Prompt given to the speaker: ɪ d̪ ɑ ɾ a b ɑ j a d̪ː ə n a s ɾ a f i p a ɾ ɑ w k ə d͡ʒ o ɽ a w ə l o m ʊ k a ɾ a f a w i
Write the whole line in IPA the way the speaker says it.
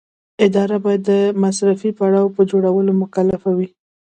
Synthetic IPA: ɪ d̪ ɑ ɾ a b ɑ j a d̪ː ə m a s ɾ a f i p a ɽ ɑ w p ə d͡ʒ o ɽ a w ə l o m ʊ k a l a f a w i